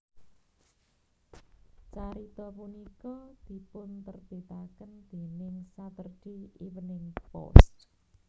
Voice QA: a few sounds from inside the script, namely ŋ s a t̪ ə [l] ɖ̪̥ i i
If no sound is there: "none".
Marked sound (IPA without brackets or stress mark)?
r